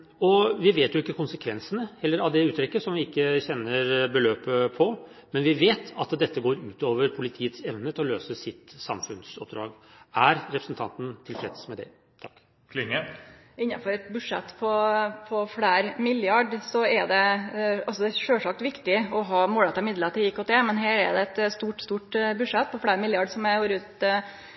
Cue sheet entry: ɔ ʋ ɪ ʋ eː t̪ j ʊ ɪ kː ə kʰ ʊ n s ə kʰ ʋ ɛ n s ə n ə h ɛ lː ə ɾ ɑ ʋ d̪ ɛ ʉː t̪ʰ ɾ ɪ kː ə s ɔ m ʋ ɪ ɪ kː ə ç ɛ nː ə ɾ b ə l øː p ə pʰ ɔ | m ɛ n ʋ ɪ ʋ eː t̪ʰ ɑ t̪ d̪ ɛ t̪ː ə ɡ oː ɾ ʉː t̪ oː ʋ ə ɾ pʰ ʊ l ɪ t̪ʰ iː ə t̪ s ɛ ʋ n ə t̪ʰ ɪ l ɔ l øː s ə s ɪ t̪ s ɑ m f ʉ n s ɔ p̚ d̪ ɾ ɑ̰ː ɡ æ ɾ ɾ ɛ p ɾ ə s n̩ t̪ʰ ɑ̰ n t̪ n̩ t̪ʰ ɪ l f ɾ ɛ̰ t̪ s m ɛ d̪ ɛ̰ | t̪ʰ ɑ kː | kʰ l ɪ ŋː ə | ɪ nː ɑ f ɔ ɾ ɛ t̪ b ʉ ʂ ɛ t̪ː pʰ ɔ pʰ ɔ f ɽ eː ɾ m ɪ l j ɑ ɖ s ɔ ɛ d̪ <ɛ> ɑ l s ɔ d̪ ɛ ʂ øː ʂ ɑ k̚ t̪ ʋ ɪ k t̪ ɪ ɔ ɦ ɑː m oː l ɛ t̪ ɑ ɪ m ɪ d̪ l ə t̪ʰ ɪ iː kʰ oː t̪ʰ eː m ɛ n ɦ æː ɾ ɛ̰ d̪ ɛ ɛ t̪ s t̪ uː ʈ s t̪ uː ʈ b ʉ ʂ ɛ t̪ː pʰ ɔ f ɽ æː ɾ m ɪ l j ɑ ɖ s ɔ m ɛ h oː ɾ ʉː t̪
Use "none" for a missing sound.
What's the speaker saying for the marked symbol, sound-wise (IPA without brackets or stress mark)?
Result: ɛ